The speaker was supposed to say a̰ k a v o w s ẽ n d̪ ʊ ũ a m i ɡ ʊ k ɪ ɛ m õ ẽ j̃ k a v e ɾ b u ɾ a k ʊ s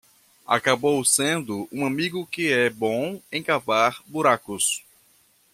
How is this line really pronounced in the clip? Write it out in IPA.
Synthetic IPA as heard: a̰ k a b o w s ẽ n d̪ ʊ ũ a m i ɡ ʊ k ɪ ɛ b õ ẽ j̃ k a v a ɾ b u ɾ a k ʊ s